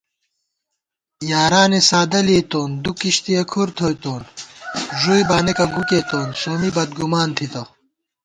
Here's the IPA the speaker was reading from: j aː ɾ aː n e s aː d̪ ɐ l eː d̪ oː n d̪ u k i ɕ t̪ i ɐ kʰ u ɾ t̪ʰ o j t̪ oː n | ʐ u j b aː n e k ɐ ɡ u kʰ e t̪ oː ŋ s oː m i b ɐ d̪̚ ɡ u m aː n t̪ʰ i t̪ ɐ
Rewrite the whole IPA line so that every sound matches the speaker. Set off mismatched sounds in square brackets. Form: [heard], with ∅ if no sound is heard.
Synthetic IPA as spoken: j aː ɾ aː n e s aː d̪ ɐ l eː [t̪] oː n d̪ u k i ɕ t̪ i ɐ kʰ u ɾ t̪ʰ o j t̪ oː n | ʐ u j b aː n e k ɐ ɡ u [k] e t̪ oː [n] s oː m i b ɐ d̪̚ ɡ u m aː n t̪ʰ i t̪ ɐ